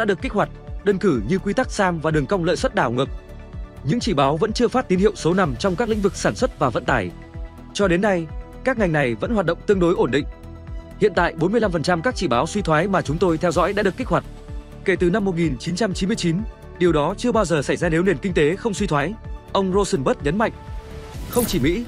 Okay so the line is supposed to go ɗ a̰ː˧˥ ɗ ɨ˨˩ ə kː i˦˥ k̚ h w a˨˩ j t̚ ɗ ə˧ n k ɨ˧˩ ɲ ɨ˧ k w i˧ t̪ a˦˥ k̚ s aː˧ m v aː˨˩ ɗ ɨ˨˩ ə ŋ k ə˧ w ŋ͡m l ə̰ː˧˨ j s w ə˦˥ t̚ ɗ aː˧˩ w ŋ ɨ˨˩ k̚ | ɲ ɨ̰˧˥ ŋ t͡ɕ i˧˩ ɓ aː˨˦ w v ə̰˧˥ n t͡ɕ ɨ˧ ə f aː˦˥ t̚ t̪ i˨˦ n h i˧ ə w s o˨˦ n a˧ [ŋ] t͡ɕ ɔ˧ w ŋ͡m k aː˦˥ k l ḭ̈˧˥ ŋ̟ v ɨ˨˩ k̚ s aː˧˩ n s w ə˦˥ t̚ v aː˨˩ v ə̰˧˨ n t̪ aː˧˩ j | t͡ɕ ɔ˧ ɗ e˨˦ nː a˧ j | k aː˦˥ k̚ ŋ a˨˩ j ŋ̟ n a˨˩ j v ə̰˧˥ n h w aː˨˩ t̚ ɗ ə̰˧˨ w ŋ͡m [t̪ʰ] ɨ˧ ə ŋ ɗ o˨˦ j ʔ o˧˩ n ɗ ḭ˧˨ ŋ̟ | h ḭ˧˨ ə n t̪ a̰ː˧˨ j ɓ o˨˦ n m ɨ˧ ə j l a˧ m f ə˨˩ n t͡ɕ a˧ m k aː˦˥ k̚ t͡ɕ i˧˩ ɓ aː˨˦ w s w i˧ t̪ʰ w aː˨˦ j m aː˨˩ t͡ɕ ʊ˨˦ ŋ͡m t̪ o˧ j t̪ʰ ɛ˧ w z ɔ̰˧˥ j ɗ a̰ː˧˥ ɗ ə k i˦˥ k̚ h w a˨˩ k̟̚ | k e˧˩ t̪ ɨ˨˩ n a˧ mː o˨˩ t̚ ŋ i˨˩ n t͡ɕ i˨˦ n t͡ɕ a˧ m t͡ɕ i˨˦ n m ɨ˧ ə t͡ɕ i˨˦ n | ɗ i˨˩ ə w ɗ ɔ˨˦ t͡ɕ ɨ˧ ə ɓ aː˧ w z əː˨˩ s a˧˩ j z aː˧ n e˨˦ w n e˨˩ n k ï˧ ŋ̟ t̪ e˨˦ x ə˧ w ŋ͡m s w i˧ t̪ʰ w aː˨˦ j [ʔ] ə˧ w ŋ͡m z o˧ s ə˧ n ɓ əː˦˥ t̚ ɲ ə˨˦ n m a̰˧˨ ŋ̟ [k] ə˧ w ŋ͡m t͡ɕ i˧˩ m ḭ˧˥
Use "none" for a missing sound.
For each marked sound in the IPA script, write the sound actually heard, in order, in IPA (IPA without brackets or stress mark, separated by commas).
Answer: m, t̪, ʔ, x